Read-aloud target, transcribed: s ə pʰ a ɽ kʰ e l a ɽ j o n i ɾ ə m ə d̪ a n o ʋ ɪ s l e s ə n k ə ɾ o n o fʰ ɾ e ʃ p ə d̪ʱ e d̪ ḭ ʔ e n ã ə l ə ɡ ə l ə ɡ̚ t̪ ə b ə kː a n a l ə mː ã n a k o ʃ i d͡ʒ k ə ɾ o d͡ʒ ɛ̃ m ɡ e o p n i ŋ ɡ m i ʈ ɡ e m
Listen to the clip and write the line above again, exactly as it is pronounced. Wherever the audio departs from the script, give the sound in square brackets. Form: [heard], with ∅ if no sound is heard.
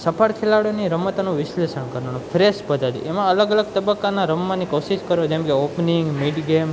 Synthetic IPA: s ə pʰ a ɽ kʰ e l a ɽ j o n i ɾ ə m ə [t̪] a n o ʋ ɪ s l e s ə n k ə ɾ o n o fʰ ɾ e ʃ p ə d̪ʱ [a] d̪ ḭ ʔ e [m] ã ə l ə ɡ ə l ə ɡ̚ t̪ ə b ə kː a n a [ɾ] ə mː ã n [i] k o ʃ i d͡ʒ k ə ɾ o d͡ʒ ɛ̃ m [k] e o p n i ŋ ɡ m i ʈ ɡ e m